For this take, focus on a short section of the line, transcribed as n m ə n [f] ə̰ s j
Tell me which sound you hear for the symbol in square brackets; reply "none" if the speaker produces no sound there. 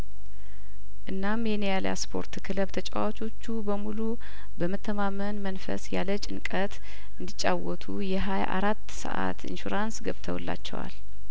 f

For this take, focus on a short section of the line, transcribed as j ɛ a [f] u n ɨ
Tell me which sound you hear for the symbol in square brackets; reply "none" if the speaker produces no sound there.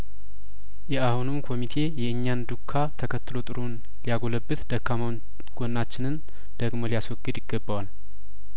h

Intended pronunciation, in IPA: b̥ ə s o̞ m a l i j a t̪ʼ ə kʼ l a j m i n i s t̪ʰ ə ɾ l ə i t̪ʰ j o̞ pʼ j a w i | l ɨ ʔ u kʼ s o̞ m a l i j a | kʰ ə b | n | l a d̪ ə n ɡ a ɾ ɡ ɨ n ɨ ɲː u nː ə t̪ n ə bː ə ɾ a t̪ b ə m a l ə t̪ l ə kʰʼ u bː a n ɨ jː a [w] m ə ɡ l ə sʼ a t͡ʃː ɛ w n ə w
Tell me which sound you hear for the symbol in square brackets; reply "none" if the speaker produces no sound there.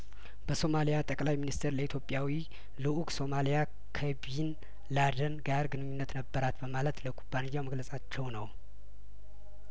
w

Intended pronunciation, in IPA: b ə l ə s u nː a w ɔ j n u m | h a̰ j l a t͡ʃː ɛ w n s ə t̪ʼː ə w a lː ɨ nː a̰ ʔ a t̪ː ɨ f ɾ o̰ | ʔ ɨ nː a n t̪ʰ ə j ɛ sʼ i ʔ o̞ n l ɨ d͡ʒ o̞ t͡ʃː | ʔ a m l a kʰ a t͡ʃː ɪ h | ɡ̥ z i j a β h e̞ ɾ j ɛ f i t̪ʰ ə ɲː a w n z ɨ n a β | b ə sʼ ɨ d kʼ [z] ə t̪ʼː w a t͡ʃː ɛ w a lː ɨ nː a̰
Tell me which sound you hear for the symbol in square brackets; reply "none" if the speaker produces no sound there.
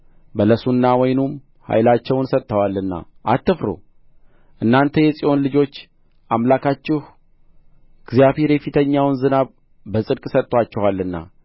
s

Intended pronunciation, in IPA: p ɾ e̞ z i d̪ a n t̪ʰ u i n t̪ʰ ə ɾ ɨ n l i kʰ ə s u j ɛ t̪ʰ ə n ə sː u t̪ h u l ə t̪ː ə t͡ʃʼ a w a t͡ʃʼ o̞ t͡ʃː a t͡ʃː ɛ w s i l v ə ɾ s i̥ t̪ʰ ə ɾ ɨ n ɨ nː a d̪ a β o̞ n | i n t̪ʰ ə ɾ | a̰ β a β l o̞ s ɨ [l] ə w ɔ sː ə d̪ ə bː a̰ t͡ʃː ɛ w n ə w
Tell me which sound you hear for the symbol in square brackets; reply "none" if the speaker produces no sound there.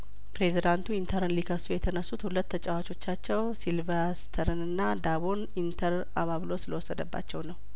l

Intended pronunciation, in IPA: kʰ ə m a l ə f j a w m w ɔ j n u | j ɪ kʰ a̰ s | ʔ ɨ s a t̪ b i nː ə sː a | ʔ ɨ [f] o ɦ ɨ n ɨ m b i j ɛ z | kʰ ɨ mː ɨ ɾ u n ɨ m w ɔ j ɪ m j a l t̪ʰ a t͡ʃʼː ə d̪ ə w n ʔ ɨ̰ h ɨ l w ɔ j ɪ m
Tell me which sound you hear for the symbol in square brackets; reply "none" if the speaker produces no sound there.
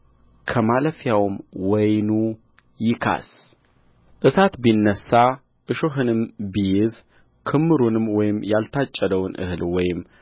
ʃ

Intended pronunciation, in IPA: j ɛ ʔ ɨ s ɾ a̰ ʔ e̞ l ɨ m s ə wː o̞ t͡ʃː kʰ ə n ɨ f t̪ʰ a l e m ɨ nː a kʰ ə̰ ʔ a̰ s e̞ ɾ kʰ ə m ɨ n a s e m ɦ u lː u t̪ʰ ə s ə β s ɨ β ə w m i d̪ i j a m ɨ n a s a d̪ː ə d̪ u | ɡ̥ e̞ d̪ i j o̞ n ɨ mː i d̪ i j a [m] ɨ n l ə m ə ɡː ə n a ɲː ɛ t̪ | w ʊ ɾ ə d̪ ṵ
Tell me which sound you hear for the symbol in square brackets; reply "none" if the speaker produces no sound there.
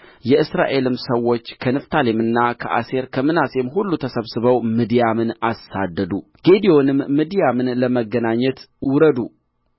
m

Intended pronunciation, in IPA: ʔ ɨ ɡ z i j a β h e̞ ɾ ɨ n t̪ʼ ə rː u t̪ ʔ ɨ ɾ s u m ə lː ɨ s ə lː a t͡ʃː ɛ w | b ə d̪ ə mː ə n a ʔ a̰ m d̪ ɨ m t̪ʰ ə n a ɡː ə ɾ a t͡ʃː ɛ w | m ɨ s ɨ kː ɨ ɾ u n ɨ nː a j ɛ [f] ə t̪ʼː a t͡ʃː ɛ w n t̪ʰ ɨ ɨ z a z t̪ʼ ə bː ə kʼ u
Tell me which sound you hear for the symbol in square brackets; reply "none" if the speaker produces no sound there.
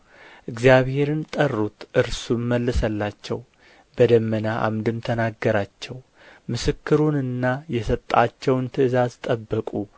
s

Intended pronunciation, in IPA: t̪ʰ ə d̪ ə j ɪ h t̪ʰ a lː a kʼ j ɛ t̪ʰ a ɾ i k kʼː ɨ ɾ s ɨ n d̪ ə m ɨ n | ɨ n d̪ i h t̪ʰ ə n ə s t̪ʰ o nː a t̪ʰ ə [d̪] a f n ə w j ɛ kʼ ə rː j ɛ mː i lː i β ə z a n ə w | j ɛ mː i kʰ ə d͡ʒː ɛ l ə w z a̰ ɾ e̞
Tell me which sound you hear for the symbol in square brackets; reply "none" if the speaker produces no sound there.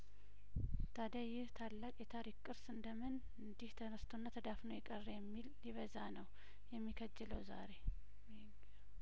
d̪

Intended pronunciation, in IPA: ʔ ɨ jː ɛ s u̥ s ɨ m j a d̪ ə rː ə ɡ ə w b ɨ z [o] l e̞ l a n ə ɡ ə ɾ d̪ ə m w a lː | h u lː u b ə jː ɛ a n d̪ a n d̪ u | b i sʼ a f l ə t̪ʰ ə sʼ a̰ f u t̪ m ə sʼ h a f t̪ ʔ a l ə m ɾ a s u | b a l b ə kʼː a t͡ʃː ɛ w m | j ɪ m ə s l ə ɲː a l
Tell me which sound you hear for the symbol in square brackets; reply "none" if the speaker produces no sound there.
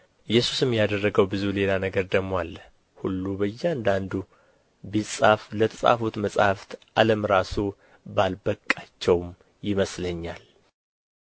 u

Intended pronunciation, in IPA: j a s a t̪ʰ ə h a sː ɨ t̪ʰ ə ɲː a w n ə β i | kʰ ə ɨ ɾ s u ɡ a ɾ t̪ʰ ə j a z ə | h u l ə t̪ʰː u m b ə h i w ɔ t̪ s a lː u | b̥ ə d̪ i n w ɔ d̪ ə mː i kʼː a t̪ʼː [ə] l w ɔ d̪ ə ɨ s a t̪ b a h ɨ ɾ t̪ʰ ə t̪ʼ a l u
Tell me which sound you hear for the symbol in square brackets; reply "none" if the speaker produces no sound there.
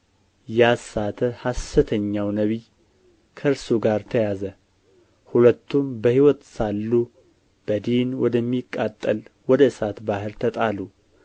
ə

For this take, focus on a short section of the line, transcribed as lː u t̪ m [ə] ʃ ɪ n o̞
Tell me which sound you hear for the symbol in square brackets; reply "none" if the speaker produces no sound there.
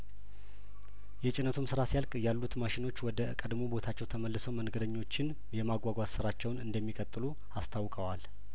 a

